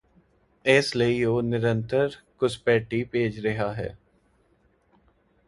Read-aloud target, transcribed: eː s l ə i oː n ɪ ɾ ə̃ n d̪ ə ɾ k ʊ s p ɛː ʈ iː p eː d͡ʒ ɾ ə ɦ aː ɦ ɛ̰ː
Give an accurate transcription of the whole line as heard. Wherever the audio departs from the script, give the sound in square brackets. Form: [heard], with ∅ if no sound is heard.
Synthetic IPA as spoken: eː s l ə i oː n ɪ ɾ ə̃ n [t̪] ə ɾ k ʊ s p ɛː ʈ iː p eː d͡ʒ ɾ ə ɦ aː ɦ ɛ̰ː

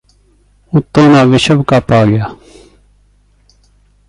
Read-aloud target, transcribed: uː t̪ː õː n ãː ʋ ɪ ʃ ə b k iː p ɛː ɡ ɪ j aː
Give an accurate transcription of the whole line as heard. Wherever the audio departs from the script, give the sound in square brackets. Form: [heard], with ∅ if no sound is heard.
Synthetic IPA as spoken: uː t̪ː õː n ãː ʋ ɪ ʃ ə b k [aː] p [aː] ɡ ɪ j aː

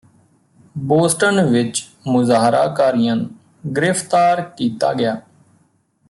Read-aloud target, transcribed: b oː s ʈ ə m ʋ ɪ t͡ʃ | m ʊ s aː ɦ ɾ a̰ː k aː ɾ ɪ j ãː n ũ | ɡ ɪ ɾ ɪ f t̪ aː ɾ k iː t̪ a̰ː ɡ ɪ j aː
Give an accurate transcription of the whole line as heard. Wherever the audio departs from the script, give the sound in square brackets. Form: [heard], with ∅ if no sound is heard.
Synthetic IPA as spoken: b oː s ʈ ə [n] ʋ ɪ t͡ʃ | m ʊ [z] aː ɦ ɾ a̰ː k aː ɾ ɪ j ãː n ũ | ɡ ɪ ɾ ɪ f t̪ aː ɾ k iː t̪ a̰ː ɡ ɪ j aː

